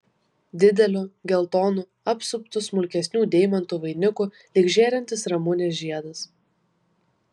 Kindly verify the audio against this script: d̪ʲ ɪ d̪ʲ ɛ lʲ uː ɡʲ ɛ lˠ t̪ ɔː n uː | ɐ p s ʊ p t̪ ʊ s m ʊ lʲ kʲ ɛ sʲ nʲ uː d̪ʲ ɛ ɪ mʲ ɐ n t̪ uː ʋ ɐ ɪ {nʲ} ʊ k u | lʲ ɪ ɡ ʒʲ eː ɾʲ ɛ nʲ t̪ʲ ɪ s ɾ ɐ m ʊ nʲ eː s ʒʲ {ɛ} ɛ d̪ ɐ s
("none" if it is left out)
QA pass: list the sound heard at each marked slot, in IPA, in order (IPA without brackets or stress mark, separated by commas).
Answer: nʲ, i